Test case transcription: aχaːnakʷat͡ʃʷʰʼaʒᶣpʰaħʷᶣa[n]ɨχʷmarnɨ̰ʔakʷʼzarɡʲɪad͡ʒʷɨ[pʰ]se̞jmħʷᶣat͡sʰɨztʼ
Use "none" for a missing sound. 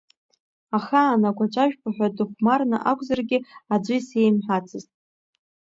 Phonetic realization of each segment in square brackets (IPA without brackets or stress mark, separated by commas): d, none